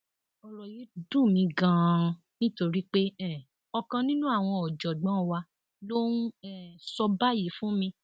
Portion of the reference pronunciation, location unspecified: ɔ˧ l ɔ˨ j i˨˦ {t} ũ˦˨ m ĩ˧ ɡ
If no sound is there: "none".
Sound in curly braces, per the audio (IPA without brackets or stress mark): d